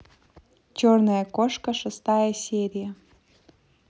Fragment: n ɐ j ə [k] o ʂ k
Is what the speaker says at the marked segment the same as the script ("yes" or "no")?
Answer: yes